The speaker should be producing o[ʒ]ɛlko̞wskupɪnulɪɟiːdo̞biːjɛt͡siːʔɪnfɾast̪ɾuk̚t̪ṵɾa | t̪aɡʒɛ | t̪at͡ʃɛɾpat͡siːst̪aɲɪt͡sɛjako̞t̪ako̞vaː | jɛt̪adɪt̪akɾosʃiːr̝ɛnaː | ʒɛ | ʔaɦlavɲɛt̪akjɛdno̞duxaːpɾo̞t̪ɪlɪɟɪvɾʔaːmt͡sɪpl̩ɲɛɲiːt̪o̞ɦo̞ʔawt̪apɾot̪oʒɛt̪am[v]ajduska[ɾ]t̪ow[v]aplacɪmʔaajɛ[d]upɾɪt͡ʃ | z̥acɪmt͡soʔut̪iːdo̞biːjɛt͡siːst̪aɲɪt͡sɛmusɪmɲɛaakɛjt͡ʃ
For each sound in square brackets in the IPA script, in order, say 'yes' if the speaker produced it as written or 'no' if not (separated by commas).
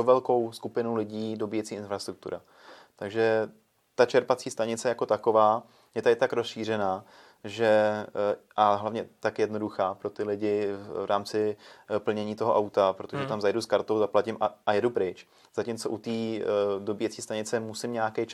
no, no, yes, no, yes